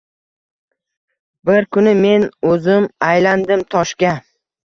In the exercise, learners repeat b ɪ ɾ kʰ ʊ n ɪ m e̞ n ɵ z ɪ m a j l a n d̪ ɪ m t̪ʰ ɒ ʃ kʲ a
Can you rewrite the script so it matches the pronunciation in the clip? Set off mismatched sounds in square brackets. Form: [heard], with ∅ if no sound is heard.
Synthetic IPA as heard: b ɪ ɾ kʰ ʊ n ɪ m e̞ n ɵ z ɪ m a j l a n d̪ ɪ m t̪ʰ ɒ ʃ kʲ a